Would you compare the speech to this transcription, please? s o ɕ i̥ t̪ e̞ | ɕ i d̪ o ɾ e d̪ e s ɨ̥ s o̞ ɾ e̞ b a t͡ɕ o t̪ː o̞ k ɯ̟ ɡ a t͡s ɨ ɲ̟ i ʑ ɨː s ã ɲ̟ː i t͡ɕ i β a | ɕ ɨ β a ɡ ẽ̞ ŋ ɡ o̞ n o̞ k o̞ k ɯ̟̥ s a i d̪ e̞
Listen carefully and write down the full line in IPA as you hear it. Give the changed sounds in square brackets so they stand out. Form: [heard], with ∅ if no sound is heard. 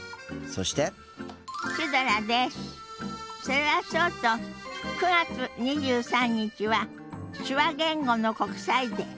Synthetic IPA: s o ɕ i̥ t̪ e̞ | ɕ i d̪ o ɾ [a] d̪ e s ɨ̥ s o̞ ɾ e̞ [β] a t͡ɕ o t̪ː o̞ k ɯ̟ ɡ a t͡s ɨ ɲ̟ i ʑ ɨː s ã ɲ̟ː i t͡ɕ i β a | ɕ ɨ β a ɡ ẽ̞ ŋ ɡ o̞ n o̞ k o̞ k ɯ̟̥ s a i d̪ e̞